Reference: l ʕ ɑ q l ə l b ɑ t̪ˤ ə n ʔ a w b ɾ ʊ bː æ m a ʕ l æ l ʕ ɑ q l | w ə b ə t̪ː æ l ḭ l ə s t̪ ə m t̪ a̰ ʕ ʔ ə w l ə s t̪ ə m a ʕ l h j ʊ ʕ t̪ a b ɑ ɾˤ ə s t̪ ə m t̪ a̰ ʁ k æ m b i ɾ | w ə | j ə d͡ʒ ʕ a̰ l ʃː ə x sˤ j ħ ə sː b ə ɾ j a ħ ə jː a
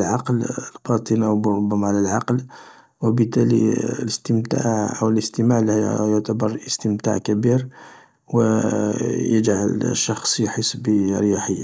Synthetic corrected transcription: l ʕ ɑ q l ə l b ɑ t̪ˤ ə n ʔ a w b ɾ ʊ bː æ m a ʕ l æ l ʕ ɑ q l | w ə b ə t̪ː æ l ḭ l ə s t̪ ə m t̪ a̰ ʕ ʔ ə w l ə s t̪ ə m a ʕ l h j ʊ ʕ t̪ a b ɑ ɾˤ ə s t̪ ə m t̪ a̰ ʕ k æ b i ɾ | w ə | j ə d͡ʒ ʕ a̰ l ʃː ɑ x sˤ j ħ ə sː b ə ɾ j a ħ ə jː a